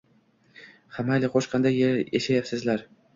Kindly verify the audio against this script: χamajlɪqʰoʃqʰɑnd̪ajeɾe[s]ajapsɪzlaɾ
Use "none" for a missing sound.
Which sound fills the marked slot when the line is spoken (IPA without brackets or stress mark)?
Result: ʃ